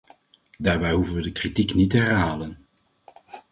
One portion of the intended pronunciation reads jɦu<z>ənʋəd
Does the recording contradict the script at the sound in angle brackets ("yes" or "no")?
yes